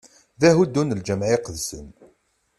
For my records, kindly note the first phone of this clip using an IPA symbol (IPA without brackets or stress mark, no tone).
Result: ð